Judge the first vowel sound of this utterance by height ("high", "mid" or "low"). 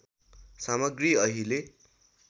low